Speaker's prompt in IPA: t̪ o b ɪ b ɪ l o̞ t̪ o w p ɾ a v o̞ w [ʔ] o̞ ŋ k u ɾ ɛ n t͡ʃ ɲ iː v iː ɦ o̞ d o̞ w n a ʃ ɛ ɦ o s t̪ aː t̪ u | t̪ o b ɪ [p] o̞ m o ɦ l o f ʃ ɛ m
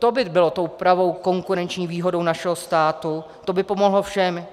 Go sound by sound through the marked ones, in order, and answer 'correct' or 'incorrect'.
incorrect: k, correct

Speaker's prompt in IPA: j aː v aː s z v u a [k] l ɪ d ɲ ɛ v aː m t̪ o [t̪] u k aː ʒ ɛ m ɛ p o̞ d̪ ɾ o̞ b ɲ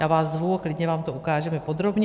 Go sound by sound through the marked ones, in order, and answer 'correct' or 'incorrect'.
correct, incorrect: none

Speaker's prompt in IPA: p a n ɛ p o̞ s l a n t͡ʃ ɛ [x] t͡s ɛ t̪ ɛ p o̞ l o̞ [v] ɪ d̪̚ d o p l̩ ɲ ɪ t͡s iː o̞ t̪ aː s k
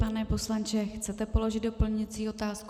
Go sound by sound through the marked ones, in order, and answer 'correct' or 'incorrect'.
correct, incorrect: ʒ

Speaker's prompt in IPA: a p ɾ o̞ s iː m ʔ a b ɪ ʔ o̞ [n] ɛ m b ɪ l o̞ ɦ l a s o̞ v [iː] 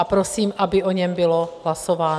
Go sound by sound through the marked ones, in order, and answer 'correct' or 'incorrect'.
incorrect: ɲ, incorrect: aː

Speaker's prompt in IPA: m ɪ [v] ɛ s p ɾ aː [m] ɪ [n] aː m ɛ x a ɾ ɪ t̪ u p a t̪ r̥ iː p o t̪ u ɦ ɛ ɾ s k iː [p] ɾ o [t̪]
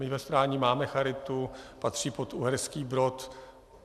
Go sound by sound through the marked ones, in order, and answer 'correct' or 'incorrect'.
correct, incorrect: ɲ, incorrect: m, incorrect: b, correct

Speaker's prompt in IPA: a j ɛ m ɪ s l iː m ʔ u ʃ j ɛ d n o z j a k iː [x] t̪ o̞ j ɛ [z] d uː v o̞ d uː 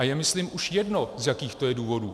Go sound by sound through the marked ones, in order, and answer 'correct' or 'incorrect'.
correct, incorrect: none

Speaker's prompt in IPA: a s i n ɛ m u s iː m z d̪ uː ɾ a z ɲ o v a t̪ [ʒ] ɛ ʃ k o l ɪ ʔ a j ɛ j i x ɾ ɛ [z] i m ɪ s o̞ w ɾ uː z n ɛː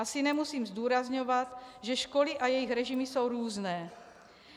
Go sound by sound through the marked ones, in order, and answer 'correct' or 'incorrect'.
correct, incorrect: ʒ

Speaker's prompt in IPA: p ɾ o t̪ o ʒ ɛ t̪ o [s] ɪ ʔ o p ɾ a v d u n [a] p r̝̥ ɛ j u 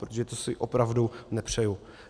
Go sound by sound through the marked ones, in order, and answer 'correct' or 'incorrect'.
correct, incorrect: ɛ

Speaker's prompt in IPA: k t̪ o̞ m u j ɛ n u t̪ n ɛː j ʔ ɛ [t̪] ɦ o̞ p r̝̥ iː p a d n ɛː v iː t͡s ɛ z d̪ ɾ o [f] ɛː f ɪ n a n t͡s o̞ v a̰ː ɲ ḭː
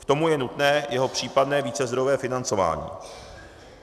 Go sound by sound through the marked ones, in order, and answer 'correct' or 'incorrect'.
incorrect: none, incorrect: v

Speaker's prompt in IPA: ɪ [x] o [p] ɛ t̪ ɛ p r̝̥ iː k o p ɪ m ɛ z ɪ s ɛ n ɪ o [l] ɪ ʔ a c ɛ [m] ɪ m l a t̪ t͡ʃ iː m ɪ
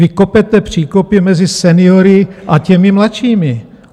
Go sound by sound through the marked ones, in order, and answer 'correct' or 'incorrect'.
incorrect: k, correct, incorrect: ɾ, correct

